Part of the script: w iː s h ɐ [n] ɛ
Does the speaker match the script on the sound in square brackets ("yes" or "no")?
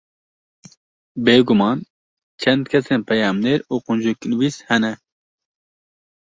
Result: yes